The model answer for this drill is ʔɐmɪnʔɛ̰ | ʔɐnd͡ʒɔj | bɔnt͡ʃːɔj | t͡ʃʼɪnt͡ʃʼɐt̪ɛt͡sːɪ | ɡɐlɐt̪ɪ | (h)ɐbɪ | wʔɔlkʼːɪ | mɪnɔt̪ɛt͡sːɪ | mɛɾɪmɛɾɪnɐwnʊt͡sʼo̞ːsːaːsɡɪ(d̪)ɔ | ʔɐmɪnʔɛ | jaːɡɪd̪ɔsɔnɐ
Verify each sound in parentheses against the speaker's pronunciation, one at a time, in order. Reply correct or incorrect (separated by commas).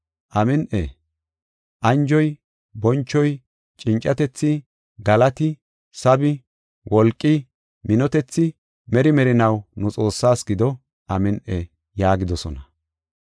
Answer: incorrect, correct